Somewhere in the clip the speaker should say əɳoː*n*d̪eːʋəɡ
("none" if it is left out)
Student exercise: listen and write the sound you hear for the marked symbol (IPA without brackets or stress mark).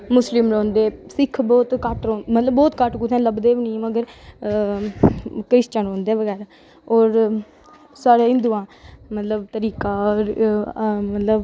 n